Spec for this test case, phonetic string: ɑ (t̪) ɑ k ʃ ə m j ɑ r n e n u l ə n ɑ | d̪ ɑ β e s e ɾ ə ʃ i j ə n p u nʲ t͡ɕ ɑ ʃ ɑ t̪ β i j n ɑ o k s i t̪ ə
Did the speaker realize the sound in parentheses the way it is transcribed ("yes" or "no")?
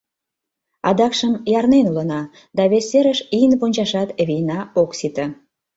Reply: no